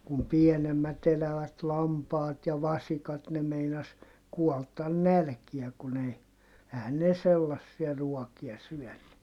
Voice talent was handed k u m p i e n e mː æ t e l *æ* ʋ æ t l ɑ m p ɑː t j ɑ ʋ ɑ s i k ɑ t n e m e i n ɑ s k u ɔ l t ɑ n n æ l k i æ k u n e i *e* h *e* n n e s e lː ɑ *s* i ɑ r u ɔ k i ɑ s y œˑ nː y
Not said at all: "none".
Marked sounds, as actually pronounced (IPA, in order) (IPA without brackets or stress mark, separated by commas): æ, e, æ, sː